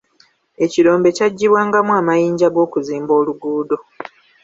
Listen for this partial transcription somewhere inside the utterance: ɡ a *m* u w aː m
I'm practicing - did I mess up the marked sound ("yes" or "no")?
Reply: no